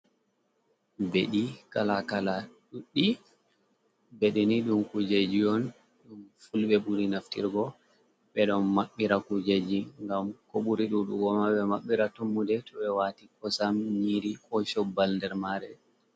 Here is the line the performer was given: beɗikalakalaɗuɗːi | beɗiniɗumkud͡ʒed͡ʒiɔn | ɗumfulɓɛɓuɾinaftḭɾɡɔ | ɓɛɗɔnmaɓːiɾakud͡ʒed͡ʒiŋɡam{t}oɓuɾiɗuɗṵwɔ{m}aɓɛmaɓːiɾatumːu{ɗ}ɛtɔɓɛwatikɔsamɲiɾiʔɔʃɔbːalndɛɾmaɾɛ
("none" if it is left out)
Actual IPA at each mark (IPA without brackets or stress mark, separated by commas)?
k, m, d